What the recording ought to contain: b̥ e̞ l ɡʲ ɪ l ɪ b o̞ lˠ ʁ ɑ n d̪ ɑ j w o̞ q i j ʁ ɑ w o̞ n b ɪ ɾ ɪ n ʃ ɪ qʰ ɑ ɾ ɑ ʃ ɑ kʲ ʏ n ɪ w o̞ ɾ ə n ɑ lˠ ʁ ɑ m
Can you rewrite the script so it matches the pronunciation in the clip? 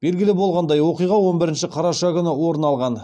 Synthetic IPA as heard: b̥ e̞ l ɡʲ ɪ l ɪ b o̞ lˠ ʁ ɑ n d̪ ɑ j w o̞ q i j ʁ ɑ w o̞ n b ɪ ɾ ɪ n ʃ ɪ qʰ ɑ ɾ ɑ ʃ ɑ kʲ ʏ n ɪ w o̞ ɾ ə n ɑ lˠ ʁ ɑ n

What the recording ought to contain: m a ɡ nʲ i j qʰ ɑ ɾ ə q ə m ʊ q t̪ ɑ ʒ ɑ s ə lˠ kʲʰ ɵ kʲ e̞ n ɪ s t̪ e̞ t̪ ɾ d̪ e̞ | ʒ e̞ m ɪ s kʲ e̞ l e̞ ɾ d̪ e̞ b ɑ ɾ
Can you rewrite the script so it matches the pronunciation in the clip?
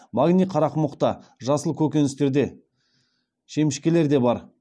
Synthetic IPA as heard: m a ɡ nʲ i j qʰ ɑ ɾ ɑ q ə m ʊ q t̪ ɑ ʒ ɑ s ə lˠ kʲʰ ɵ kʲ e̞ n ɪ s t̪ e̞ ɾ d̪ e̞ | ʃ e̞ m ɪ ʃ kʲ e̞ l e̞ ɾ d̪ e̞ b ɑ ɾ

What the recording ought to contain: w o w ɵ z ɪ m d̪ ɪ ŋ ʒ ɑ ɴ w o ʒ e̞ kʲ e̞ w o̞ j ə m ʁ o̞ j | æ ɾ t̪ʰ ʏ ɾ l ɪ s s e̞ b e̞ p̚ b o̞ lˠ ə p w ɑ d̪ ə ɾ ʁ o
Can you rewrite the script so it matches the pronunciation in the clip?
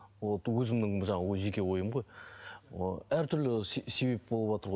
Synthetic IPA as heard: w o w ɵ z ɪ m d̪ ɪ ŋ ʒ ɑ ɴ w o ʒ e̞ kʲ e̞ w o̞ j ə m ʁ o̞ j | æ ɾ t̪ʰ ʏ ɾ l ɪ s s e̞ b e̞ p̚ b o̞ lˠ ə p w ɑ t̪ ə ɾ ʁ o

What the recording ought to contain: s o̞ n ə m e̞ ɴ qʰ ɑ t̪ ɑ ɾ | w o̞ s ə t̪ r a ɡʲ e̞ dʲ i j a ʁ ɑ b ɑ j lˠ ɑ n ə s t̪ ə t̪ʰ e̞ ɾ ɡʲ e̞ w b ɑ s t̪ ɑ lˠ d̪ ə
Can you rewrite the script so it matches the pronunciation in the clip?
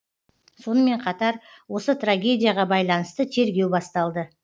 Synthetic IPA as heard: s o̞ n ə m e̞ ɴ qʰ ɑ t̪ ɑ ɾ | w o̞ s ə t̪ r a ɡʲ e̞ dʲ i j a ʁ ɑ b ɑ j lˠ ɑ n ə s t̪ ə t̪ʰ e̞ ɾ ɡʲ e̞ w b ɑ s t̪ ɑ lˠ d̪ ə

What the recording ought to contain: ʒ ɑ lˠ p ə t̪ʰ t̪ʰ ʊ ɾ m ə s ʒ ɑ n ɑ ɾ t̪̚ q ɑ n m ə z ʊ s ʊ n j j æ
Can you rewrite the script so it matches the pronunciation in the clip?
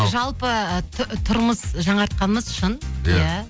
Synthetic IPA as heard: ʒ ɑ lˠ p ə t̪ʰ t̪ʰ ʊ ɾ m ə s ʒ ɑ ɴ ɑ ɾ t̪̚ q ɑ n m ə z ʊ ʃ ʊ n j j æ

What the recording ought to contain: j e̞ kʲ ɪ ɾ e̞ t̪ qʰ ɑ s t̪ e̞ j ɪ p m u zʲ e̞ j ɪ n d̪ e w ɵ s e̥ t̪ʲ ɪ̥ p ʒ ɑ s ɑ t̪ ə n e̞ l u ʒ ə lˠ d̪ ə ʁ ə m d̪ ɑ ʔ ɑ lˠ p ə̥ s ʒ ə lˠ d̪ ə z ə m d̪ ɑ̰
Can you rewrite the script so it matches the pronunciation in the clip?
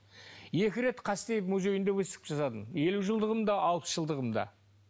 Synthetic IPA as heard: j e̞ kʲ ɪ ɾ e̞ t̪ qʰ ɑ s t̪ e̞ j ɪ p m u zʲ e̞ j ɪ n d̪ e w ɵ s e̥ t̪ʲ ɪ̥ p ʒ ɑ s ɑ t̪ ə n e̞ l u ʒ ə lˠ d̪ ə ʁ ə m d̪ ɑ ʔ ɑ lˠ p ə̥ s ʒ ə lˠ d̪ ə ʁ ə m d̪ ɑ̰

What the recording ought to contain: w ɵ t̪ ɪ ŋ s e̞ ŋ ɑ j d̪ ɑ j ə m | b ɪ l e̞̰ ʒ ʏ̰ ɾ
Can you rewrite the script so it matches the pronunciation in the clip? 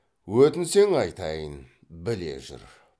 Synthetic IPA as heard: w ɵ t̪ ɪ n s e̞ ŋ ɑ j t̪ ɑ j ə n | b ɪ l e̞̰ ʒ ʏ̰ ɾ

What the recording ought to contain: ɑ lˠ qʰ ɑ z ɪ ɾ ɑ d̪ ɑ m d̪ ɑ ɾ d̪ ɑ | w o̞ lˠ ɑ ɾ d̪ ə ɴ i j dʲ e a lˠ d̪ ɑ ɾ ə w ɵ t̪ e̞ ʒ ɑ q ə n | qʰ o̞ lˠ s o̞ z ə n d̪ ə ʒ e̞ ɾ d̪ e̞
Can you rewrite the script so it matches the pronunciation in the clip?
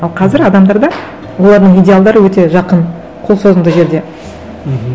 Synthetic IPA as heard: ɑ lˠ qʰ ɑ z ɪ ɾ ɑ d̪ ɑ m d̪ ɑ ɾ d̪ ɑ | w o̞ lˠ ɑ ɾ d̪ ə ɴ i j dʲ e a lˠ d̪ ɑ ɾ ə w ɵ t̪ e̞ ʒ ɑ q ə n | qʰ o̞ lˠ s o̞ z ə n d̪ ə ʒ e̞ ɾ d̪ e̞

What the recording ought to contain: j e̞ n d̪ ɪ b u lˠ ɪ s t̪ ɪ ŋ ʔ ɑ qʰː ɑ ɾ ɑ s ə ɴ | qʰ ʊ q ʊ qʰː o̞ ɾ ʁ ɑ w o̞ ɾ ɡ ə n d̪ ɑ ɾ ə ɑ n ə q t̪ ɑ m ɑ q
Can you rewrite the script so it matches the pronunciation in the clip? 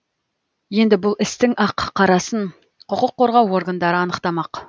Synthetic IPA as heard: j e̞ n d̪ ɪ b ʊ lˠ ɪ s t̪ ɪ ŋ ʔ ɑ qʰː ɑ ɾ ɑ s ə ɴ | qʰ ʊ q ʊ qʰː o̞ ɾ ʁ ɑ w o̞ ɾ ɡ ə n d̪ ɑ ɾ ə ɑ n ə q t̪ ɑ m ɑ q

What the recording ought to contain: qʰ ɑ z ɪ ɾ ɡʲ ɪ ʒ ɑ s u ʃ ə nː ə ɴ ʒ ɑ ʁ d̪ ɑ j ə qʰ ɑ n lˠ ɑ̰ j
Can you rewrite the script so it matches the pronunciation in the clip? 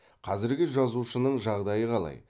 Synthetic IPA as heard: qʰ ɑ z ɪ ɾ ɡʲ ɪ ʒ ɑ z u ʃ ə n ə ɴ ʒ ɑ ʁ d̪ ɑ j ə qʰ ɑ lˠ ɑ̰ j

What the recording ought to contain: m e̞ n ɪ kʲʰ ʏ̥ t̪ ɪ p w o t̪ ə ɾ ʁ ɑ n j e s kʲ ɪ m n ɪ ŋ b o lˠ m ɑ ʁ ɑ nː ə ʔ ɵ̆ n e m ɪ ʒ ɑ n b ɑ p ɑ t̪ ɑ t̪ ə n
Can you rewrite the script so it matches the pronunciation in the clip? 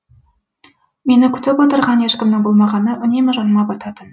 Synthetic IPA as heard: m e̞ n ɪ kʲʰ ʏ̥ t̪ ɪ p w o t̪ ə ɾ ʁ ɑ n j e ʃ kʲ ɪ m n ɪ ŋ b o lˠ m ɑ ʁ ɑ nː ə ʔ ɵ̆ n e m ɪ ʒ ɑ n m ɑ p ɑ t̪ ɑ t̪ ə n

